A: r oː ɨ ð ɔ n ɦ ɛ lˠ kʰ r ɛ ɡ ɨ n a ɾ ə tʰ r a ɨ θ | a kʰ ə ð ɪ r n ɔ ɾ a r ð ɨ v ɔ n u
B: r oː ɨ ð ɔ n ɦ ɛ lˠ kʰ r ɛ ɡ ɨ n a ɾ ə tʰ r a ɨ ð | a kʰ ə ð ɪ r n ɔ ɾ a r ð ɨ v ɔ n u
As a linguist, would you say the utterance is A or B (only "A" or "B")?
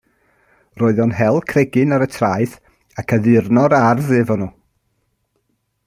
A